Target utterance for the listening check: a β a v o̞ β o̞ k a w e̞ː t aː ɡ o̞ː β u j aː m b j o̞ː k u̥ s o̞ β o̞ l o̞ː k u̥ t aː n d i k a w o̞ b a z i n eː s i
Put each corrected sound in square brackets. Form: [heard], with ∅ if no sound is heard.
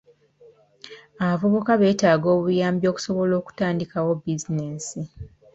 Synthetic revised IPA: a β a v o̞ β o̞ k a [β] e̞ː t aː ɡ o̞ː β u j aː m b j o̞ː k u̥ s o̞ β o̞ l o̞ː k u̥ t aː n d i k a w o̞ b [i] z i n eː s i